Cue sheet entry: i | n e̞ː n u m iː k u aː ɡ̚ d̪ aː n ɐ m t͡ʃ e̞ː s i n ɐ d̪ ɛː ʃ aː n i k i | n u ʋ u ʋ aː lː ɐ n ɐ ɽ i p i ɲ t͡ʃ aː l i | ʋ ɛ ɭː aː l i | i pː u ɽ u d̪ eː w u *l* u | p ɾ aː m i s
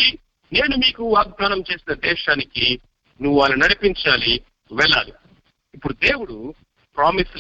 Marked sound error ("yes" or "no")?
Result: yes